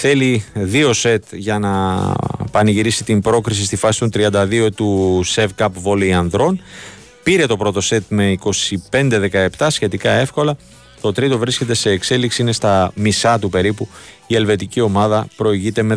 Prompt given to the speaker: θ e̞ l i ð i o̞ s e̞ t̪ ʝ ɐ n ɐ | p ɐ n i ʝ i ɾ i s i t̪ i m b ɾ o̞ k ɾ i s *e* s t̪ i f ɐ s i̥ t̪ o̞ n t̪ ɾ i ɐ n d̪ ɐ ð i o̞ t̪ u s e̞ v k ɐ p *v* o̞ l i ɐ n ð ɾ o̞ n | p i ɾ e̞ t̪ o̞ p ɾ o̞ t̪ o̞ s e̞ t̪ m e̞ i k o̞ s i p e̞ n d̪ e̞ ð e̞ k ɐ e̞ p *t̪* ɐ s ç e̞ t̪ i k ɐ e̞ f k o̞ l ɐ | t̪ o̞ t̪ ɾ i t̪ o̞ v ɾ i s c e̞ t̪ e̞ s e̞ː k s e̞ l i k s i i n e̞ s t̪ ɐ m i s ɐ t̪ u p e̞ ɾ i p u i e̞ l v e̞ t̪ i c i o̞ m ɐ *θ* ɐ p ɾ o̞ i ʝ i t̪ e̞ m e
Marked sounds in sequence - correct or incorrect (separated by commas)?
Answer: incorrect, correct, correct, incorrect